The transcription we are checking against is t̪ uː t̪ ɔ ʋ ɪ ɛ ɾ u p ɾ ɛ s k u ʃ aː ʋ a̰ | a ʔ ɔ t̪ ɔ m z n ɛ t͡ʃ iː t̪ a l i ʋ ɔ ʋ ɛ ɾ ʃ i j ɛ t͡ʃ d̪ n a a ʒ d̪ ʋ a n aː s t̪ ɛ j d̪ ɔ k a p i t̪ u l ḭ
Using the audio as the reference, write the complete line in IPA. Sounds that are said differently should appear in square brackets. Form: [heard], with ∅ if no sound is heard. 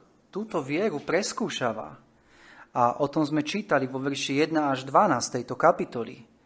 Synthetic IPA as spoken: t̪ uː t̪ ɔ ʋ ɪ ɛ ɾ u p ɾ ɛ s k [uː] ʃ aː ʋ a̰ | a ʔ ɔ t̪ ɔ m z [m] ɛ t͡ʃ iː t̪ a l i ʋ ɔ ʋ ɛ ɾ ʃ i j ɛ [∅] d̪ n a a ʒ d̪ ʋ a n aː s t̪ ɛ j [t̪] ɔ k a p i t̪ [ɔ] l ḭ